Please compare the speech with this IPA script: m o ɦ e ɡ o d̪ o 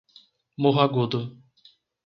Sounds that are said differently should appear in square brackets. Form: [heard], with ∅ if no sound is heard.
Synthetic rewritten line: m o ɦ [a] ɡ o d̪ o